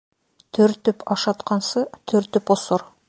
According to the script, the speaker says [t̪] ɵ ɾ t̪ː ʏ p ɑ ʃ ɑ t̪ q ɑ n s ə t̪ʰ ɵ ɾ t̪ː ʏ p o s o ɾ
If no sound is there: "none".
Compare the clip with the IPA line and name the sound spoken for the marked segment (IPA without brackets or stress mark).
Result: t̪ʰ